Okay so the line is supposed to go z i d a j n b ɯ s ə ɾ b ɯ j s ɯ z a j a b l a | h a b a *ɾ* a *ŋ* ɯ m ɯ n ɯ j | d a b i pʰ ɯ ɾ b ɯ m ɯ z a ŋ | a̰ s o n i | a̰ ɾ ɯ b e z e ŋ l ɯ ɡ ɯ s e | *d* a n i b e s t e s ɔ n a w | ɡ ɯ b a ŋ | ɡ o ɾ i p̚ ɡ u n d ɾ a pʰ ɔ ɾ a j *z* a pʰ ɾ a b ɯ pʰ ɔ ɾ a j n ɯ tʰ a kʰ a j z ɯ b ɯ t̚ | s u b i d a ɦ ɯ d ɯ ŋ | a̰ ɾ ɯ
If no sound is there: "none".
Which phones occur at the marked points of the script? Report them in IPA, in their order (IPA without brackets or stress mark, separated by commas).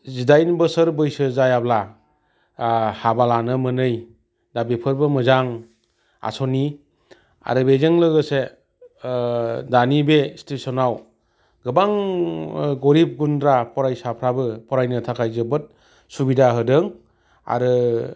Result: l, n, d, s